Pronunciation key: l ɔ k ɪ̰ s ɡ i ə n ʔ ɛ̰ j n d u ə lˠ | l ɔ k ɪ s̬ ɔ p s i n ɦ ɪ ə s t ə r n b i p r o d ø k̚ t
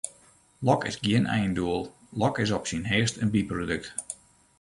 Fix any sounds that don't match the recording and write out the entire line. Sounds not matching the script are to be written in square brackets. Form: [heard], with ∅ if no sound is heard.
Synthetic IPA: l ɔ k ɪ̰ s ɡ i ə n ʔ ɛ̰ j n d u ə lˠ | l ɔ k ɪ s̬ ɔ p s i n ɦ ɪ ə s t ə [∅] n b i p r o d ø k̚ t

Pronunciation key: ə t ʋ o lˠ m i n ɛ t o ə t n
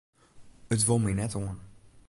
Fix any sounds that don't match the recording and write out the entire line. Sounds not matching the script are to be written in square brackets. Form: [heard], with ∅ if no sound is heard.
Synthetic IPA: ə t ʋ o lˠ m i n ɛ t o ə [∅] n

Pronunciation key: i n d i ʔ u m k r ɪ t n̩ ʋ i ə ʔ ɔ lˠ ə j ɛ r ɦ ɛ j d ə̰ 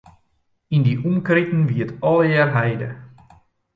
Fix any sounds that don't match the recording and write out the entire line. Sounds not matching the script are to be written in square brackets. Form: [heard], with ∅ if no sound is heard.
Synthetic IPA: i n d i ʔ u m k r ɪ t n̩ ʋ i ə [t] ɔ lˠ ə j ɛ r ɦ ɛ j d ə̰

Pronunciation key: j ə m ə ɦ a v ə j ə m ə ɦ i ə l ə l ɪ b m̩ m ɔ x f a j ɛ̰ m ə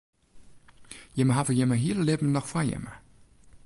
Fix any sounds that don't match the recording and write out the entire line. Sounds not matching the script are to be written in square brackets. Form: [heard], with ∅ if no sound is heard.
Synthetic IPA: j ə m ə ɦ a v ə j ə m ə ɦ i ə l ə l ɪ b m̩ [n] ɔ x f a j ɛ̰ m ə

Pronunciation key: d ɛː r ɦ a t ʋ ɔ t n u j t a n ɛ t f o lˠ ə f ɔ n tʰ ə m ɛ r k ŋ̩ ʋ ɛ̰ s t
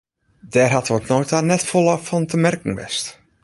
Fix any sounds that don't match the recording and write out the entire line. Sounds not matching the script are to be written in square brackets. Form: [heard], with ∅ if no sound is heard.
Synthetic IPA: d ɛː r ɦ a t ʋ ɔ t n [o] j t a n ɛ t f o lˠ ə f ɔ n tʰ ə m ɛ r k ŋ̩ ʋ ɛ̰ s t

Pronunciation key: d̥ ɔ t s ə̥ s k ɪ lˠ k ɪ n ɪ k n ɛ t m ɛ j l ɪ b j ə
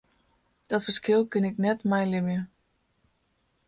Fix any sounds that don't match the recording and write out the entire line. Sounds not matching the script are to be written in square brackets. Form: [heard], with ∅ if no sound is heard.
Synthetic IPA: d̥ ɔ t [f] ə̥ s k ɪ lˠ k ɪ n ɪ k n ɛ t m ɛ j l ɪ [m] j ə

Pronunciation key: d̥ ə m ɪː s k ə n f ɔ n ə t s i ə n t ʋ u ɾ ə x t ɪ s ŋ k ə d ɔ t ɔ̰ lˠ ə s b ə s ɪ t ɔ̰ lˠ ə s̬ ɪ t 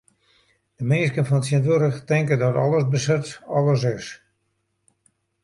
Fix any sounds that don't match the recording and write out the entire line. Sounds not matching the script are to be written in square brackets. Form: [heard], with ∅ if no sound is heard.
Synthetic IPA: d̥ ə m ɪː s k ə n f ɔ n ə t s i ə n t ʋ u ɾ ə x t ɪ [∅] ŋ k ə d ɔ t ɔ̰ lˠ ə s b ə s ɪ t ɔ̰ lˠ ə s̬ ɪ [s]

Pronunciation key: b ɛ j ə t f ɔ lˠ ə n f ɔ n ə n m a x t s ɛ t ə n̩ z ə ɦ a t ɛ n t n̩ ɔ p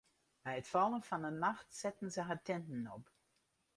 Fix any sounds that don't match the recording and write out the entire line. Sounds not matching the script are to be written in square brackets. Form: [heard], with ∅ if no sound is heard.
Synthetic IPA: b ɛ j ə t f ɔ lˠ ə n f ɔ n ə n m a x t s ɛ t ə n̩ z ə ɦ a t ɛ n t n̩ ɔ p

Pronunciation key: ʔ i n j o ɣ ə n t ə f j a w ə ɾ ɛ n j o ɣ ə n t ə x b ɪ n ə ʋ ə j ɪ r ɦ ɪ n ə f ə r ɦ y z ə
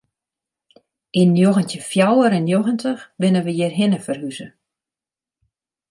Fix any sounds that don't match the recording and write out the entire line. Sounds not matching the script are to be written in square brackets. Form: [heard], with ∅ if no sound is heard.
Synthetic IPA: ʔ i n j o ɣ ə n t ə f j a w ə ɾ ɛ n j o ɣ ə n t ə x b ɪ n ə ʋ ə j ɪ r ɦ ɪ n ə f ə r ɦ y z ə

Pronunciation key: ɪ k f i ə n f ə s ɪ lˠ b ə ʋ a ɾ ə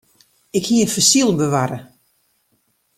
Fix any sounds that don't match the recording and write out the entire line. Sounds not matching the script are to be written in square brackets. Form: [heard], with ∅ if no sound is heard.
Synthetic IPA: ɪ k [h] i ə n f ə s [i] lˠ b ə ʋ a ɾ ə

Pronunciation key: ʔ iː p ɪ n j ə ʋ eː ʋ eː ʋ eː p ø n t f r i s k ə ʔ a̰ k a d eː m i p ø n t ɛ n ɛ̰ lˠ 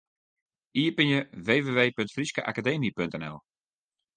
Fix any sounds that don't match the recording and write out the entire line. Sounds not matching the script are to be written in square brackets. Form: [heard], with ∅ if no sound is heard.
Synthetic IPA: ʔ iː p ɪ n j ə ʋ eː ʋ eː ʋ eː p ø n t f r i s k ə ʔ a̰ k a d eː m i p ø n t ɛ n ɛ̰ lˠ

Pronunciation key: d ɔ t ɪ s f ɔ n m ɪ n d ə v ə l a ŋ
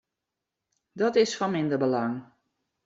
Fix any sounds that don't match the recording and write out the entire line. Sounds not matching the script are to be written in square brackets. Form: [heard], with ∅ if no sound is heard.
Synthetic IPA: d ɔ t ɪ s f ɔ n m ɪ n d ə [b] ə l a ŋ

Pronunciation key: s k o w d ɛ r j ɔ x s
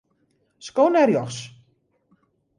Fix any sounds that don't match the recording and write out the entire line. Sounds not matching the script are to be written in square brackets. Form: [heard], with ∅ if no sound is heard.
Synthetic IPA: s k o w [n] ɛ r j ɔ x s

